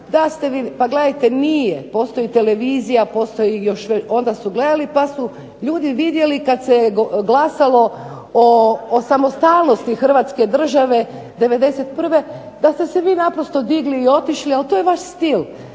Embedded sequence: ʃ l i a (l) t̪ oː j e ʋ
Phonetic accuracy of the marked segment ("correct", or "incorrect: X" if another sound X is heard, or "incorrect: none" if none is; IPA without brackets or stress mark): correct